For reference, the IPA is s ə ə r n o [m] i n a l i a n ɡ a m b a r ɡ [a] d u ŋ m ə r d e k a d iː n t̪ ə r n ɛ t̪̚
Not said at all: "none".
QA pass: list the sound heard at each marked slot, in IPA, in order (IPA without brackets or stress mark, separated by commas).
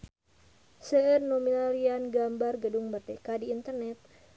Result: m, ə